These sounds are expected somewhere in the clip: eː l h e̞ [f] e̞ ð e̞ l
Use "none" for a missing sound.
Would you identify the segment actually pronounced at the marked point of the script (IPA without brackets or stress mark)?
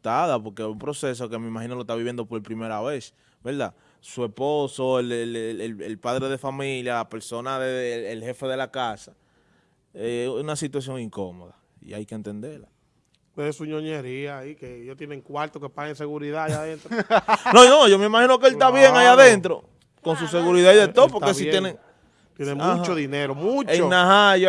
f